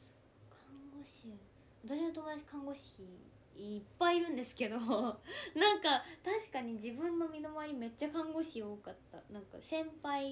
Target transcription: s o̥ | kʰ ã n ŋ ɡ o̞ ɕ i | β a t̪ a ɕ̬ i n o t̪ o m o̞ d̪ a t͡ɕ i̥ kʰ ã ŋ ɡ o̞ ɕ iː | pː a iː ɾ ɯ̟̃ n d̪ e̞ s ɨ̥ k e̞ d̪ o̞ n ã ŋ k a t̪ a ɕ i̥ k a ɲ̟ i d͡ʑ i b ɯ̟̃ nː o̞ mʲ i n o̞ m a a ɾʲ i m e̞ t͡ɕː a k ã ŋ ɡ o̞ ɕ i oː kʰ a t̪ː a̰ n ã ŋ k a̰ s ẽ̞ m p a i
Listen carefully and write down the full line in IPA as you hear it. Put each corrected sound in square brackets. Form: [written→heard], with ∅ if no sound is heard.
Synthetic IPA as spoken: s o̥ | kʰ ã [n→ŋ] ŋ ɡ o̞ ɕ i | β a t̪ a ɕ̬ i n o t̪ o m o̞ d̪ a t͡ɕ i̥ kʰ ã ŋ ɡ o̞ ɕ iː | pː a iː ɾ ɯ̟̃ n d̪ e̞ s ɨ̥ k e̞ d̪ o̞ n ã ŋ k a t̪ a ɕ i̥ k a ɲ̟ i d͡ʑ i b ɯ̟̃ nː o̞ mʲ i n o̞ m a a ɾʲ i m e̞ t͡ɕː a k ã ŋ ɡ o̞ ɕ i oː [kʰ→k] a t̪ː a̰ n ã ŋ k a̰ s ẽ̞ m p a i